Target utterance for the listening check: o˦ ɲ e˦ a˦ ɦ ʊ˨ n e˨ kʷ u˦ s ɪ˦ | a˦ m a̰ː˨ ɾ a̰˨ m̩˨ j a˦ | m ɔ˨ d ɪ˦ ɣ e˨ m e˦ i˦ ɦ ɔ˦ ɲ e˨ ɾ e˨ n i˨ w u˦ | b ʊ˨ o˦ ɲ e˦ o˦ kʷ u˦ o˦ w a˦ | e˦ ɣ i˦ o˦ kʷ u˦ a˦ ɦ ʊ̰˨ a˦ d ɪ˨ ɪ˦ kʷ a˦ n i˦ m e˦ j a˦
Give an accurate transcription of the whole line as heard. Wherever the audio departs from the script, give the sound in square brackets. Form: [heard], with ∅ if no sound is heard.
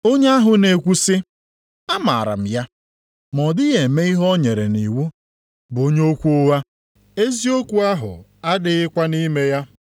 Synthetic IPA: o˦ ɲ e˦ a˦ ɦ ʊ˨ n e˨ kʷ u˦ s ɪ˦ | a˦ m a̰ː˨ ɾ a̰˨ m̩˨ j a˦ | m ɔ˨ d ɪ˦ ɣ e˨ m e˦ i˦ ɦ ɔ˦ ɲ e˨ ɾ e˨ n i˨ w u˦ | b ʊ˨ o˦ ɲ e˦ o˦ kʷ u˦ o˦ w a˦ | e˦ [z] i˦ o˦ kʷ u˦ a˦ ɦ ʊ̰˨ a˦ d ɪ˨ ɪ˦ kʷ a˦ n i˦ m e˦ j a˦